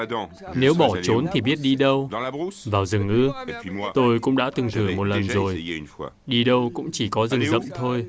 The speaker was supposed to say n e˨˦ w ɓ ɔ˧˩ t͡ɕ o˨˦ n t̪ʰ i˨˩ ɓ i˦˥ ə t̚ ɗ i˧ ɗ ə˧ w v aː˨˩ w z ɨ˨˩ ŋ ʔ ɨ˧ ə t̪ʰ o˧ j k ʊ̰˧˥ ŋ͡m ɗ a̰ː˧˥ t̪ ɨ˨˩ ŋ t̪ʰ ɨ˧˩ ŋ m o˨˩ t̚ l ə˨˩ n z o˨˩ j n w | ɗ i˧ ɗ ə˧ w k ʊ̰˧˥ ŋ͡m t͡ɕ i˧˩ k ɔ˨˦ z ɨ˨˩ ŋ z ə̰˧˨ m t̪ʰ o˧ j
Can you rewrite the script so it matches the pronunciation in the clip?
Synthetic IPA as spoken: n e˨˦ w ɓ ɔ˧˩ t͡ɕ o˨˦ n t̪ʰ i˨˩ ɓ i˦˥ ə t̚ ɗ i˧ ɗ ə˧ w v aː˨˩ w z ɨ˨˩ ŋ ʔ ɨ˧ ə t̪ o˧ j k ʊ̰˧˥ ŋ͡m ɗ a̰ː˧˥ t̪ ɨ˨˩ ŋ t̪ʰ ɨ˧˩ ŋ m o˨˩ t̚ l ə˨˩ n z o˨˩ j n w | ɗ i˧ ɗ ə˧ w k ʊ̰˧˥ ŋ͡m t͡ɕ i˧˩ k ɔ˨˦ z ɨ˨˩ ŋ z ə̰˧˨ m t̪ʰ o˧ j